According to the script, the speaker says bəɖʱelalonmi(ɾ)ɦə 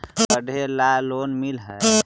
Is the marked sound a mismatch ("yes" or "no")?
yes